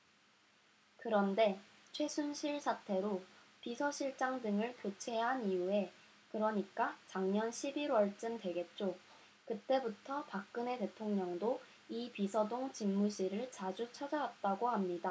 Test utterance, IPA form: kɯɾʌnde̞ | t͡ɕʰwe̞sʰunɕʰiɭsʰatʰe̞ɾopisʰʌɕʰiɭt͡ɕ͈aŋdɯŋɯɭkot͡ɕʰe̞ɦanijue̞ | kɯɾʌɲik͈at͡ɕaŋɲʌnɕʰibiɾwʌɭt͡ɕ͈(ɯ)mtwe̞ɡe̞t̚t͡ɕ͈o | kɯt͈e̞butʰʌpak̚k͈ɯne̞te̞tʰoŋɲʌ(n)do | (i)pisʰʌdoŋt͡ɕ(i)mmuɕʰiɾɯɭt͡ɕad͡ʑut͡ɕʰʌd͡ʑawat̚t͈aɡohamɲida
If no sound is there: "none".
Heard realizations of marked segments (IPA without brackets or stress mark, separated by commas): ɯ, ŋ, i, i